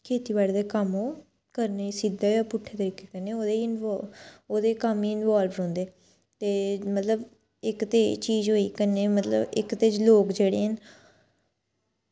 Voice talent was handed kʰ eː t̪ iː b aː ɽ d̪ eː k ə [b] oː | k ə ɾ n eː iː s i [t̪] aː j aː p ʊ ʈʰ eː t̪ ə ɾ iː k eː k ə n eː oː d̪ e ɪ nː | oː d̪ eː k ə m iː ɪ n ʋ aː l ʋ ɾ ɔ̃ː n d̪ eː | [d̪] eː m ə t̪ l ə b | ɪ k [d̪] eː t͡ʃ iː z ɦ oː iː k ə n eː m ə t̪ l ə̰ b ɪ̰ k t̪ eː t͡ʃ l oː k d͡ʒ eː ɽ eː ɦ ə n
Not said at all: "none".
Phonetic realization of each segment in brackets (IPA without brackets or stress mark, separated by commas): m, d̪, t̪, t̪